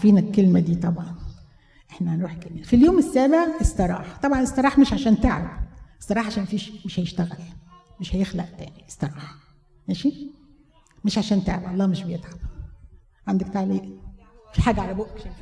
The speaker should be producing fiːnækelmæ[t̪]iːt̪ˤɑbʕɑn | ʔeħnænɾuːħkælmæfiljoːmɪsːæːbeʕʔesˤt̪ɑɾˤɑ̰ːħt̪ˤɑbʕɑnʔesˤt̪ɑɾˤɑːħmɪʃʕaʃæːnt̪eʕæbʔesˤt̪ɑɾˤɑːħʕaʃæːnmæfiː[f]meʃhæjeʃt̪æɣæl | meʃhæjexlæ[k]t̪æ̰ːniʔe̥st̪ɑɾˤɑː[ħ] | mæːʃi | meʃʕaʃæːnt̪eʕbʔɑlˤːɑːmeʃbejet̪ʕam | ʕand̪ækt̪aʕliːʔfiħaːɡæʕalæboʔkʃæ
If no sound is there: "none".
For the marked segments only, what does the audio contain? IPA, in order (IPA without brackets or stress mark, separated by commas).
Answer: d̪, ʃ, ʔ, ħ